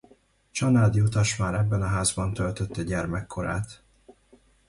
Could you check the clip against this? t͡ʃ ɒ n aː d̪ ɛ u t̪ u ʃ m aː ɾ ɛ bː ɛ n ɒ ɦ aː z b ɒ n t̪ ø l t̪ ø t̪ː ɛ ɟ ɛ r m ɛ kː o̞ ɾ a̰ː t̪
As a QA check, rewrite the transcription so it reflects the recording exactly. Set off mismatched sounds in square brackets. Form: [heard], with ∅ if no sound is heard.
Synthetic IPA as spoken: t͡ʃ ɒ n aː d̪ [i] u t̪ [ɒ] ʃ m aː ɾ ɛ bː ɛ n ɒ ɦ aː z b ɒ n t̪ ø l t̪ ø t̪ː ɛ ɟ ɛ r m ɛ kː o̞ ɾ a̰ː t̪